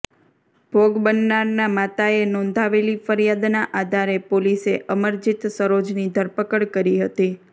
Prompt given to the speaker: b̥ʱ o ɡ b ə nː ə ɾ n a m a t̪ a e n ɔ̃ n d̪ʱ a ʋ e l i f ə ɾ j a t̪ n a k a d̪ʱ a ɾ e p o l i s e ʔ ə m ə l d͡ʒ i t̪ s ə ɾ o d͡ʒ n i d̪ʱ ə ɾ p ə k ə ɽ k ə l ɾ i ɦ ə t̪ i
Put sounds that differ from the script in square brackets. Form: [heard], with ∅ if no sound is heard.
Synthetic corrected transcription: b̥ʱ o ɡ b ə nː [a] ɾ n a m a t̪ a e n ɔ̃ n d̪ʱ a ʋ e l i f ə ɾ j a [d̪] n a [ʔ] a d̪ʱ a ɾ e p o l i s e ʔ ə m ə [ɾ] d͡ʒ i t̪ s ə ɾ o d͡ʒ n i d̪ʱ ə ɾ p ə k ə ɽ k ə [∅] ɾ i ɦ ə t̪ i